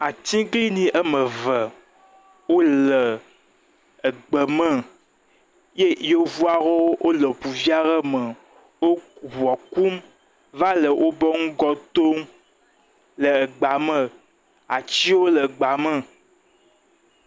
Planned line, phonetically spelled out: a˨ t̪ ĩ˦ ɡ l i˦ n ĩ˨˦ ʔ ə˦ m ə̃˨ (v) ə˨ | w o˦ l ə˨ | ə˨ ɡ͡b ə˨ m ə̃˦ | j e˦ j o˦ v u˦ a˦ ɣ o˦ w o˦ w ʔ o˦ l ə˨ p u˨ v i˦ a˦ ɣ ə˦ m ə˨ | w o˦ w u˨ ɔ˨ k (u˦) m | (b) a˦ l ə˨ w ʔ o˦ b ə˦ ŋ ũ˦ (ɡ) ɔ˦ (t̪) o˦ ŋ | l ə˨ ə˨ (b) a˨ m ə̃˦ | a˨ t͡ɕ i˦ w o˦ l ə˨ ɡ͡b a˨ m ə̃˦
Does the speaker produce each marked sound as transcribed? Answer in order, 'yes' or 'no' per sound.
yes, yes, no, yes, yes, no

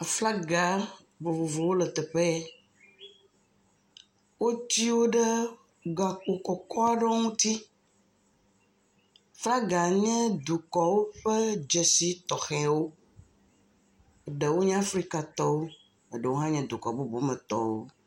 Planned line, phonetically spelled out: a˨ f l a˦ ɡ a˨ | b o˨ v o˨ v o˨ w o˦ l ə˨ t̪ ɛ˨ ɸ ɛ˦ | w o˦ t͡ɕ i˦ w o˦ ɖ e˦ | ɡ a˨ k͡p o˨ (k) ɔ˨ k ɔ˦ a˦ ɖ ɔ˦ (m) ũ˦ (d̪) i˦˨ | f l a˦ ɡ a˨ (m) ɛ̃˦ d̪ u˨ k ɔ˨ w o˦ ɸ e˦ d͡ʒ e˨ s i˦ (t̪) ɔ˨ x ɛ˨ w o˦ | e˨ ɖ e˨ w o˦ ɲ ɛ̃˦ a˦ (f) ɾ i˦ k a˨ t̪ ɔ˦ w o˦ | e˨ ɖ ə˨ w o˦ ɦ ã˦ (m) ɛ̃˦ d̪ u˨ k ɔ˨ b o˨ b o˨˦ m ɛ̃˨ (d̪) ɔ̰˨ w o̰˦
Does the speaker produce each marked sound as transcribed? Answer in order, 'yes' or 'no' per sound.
yes, no, no, no, yes, yes, no, no

